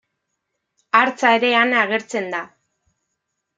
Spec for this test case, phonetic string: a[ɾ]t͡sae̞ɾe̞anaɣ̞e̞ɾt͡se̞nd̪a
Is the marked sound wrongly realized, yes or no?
no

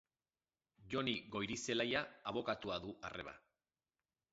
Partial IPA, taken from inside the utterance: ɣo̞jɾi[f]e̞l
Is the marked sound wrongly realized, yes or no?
yes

